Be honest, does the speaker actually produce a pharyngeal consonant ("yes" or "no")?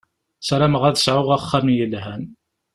yes